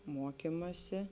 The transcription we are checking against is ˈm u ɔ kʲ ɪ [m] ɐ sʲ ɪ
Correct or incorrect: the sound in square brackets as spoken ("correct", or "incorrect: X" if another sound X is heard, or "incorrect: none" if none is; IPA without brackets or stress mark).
correct